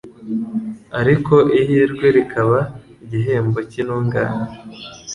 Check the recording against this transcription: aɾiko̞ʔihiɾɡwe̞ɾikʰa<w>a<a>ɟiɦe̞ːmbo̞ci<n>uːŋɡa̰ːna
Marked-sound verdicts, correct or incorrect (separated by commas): incorrect, incorrect, correct